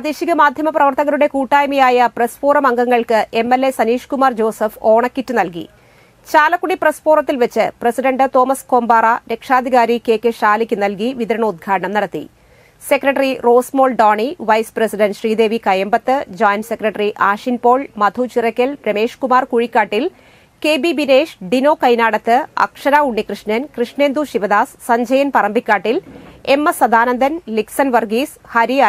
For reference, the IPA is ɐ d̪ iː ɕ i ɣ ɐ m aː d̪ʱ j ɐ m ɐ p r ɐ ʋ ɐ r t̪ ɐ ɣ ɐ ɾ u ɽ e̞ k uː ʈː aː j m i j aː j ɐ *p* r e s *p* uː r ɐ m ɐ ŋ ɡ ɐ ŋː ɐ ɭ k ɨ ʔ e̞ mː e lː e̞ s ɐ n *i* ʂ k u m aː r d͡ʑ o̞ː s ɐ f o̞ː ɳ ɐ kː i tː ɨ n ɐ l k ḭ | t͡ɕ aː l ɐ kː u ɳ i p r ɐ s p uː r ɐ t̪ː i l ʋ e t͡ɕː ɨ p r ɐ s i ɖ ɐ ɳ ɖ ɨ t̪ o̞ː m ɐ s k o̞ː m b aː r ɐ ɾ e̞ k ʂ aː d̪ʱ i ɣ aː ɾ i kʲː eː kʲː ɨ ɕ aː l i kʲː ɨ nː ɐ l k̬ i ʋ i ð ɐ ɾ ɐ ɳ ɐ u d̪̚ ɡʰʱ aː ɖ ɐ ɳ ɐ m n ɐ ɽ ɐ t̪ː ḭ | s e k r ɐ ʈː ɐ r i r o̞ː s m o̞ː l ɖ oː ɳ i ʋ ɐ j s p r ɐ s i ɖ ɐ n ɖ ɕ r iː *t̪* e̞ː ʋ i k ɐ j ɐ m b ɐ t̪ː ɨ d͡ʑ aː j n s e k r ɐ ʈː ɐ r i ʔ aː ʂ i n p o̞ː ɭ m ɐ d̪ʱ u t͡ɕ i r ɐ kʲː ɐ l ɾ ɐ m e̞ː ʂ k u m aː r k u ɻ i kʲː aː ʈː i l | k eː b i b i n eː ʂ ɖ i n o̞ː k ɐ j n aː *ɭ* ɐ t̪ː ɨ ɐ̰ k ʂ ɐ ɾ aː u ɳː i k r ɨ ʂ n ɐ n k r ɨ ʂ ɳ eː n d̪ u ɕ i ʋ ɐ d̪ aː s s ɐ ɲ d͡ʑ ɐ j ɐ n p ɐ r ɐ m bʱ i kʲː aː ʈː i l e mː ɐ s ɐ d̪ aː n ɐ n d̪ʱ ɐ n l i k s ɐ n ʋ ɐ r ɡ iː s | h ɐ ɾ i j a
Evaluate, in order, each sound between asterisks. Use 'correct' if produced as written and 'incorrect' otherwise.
correct, correct, incorrect: iː, incorrect: d̪, incorrect: ɽ

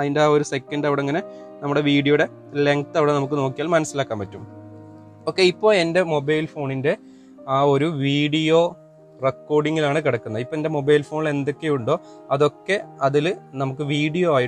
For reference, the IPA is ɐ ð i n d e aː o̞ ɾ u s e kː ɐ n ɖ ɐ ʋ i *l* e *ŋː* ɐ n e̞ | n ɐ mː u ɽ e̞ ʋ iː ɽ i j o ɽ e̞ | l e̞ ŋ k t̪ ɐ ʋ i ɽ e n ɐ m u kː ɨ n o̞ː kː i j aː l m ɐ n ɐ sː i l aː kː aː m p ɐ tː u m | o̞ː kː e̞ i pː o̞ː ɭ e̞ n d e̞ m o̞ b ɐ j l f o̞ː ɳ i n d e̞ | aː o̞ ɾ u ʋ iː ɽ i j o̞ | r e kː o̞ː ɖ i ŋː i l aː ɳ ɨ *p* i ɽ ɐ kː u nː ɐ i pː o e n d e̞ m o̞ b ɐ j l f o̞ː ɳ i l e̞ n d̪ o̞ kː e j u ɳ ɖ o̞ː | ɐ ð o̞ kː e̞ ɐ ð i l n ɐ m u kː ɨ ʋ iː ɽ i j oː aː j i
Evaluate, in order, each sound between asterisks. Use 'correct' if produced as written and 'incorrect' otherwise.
incorrect: ɽ, correct, incorrect: k

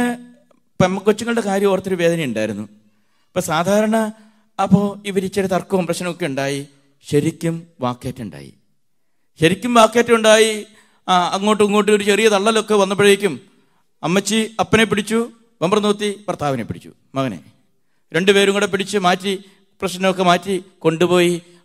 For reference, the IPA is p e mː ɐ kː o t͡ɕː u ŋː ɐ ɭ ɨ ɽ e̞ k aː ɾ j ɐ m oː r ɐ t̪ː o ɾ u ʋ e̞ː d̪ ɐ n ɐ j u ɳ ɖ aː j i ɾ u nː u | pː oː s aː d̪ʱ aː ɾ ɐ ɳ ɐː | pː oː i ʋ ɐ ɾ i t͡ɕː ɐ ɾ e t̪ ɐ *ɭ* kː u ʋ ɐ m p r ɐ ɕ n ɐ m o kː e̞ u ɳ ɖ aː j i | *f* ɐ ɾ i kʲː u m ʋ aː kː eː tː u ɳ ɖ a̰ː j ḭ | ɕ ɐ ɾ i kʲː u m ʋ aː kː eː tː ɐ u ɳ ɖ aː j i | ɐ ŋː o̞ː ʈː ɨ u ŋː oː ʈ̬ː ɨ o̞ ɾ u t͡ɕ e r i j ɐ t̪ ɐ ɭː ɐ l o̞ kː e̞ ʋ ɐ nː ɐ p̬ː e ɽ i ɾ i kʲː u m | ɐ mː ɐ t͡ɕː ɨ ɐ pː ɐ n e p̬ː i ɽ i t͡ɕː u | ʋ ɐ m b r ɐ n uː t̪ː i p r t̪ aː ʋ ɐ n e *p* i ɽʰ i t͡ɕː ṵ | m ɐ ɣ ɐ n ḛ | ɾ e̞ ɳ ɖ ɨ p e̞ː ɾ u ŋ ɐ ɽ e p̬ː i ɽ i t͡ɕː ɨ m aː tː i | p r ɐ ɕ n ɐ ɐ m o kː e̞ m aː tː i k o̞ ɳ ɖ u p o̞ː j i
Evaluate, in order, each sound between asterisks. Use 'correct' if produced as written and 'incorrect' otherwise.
incorrect: r, incorrect: ɕ, correct

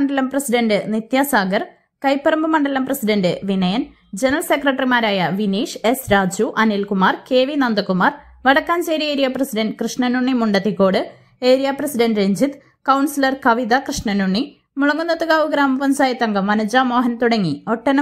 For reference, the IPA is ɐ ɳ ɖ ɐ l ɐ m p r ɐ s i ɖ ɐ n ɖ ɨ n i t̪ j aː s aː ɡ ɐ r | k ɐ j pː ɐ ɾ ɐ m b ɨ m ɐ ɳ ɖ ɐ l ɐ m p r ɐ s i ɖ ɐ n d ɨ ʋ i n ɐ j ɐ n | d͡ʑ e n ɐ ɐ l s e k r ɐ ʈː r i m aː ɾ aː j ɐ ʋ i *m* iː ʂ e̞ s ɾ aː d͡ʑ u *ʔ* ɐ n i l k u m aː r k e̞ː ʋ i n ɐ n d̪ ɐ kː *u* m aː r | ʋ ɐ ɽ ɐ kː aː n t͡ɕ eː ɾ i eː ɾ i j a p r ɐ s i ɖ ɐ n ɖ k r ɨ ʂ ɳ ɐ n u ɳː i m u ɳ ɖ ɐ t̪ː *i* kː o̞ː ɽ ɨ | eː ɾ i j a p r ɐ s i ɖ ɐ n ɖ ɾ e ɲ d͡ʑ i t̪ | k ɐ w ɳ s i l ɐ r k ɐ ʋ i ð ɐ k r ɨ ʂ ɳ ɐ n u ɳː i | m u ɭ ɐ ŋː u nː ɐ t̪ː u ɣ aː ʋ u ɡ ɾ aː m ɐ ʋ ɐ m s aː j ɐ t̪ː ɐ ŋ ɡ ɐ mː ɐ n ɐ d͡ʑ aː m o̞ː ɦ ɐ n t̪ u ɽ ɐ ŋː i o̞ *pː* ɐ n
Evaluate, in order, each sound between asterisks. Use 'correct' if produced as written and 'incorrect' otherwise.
incorrect: n, correct, correct, correct, incorrect: ʈː

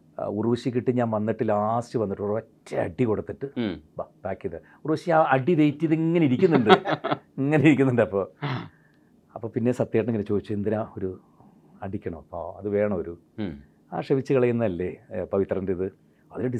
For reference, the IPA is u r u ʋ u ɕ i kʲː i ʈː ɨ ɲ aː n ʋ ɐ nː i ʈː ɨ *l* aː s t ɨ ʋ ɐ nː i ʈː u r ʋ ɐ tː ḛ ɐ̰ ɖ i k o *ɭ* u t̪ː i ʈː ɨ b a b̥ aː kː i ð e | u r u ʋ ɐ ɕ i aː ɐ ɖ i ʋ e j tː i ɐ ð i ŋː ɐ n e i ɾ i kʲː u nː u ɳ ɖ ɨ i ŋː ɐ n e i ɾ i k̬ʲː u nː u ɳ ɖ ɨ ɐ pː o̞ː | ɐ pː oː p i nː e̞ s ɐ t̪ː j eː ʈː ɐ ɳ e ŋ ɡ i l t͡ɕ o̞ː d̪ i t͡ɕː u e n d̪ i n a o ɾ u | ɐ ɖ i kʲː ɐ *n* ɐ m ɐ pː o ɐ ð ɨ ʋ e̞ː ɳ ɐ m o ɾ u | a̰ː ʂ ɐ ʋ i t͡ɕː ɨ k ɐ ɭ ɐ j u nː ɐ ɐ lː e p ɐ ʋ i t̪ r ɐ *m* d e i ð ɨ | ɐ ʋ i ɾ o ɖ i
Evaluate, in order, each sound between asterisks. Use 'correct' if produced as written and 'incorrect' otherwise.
correct, incorrect: ɽ, incorrect: ɳ, incorrect: n

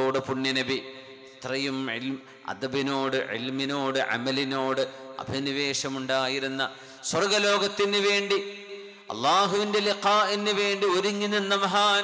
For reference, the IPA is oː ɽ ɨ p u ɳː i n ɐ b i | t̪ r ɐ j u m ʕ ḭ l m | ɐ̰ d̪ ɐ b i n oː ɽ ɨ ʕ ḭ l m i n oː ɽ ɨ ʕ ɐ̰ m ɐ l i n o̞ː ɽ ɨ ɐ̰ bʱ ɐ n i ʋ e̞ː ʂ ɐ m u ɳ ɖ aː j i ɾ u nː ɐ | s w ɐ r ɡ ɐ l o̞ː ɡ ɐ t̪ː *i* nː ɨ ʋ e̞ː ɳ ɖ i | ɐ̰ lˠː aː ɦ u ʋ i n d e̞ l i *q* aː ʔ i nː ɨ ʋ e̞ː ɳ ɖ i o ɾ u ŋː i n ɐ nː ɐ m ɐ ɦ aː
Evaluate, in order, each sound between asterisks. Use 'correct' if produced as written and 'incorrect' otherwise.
correct, correct

